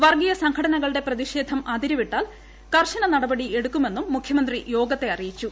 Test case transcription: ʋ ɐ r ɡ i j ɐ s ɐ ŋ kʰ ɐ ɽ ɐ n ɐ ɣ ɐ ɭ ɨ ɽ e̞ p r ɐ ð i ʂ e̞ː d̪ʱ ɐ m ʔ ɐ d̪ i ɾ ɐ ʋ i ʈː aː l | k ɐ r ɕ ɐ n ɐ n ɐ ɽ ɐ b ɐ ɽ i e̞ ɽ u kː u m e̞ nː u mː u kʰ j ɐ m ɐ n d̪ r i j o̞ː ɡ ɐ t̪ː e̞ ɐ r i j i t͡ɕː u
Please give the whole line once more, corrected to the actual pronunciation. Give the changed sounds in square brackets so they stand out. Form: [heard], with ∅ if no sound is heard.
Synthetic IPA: ʋ ɐ r ɡ i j ɐ s ɐ ŋ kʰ ɐ ɽ ɐ n ɐ ɣ ɐ ɭ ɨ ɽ e̞ p r ɐ ð i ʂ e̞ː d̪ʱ ɐ m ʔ ɐ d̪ i ɾ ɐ ʋ i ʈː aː l | k ɐ r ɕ ɐ n ɐ n ɐ ɽ ɐ b ɐ ɽ i e̞ ɽ u kː u m e̞ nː u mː u kʰ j ɐ m ɐ n d̪ r i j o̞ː ɡ ɐ t̪ː e̞ ɐ r i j i t͡ɕː u